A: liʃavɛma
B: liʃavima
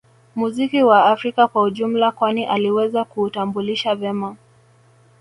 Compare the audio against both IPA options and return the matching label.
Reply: A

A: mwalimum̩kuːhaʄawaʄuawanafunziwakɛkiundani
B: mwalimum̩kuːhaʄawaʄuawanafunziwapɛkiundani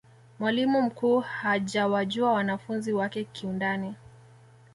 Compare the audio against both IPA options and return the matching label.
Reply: A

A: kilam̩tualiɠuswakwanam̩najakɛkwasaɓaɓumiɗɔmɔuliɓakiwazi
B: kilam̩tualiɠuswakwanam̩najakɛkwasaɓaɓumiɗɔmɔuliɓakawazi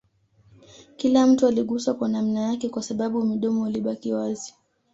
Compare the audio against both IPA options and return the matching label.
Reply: A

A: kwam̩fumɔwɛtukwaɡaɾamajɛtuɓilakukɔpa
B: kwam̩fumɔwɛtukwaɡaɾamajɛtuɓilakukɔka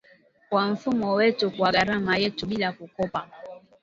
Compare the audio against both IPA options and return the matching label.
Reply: A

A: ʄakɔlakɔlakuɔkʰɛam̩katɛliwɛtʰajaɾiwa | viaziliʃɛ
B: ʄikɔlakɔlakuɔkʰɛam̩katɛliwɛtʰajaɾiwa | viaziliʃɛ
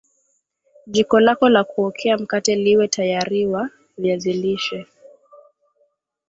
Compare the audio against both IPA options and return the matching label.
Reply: B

